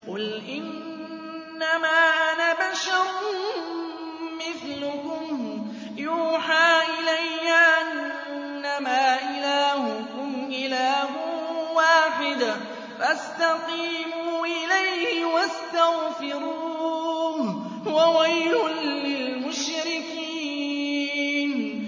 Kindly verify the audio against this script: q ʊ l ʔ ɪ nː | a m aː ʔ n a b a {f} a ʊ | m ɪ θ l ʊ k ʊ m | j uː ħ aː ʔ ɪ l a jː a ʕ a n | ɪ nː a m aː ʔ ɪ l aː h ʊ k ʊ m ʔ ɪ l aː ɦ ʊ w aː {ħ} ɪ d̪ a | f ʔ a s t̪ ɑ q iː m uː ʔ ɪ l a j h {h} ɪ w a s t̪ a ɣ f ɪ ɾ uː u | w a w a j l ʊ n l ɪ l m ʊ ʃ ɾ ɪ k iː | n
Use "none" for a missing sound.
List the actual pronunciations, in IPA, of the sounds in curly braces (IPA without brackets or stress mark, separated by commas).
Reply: ʃ, ħ, h